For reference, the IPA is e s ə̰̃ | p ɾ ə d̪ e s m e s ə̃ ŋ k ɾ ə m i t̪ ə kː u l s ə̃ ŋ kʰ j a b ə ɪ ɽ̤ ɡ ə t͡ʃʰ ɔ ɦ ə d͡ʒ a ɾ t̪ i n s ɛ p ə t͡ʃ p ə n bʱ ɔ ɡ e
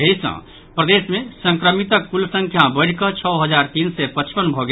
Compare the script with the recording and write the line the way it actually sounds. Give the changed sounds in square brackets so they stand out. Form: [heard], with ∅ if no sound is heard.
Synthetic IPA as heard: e s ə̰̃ | p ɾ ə d̪ e s m e s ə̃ ŋ k ɾ ə m i t̪ ə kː u l s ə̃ ŋ kʰ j a b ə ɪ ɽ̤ [k] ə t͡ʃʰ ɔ ɦ ə d͡ʒ a ɾ t̪ i n s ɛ p ə t͡ʃ p ə n bʱ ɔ ɡ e